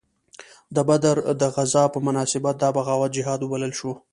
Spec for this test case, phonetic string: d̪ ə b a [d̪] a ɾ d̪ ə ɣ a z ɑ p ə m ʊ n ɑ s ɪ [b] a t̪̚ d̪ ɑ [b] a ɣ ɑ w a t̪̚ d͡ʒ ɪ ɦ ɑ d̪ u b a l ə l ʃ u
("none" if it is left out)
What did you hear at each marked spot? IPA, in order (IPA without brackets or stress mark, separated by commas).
d̪, b, b